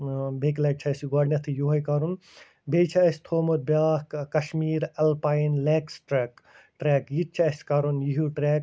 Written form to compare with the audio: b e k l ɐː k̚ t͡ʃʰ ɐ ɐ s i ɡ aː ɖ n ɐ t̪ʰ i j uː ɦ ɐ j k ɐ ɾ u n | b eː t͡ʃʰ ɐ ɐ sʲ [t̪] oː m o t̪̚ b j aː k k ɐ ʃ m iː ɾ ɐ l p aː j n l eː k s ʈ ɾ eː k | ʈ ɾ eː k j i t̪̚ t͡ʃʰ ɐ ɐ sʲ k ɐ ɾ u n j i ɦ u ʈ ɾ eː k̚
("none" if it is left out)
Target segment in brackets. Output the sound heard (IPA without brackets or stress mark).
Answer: t̪ʰ